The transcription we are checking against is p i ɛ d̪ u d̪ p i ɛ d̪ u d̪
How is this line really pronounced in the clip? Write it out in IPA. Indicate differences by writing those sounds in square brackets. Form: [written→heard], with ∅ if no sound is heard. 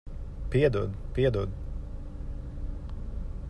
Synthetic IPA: p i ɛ d̪ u d̪ p i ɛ d̪ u d̪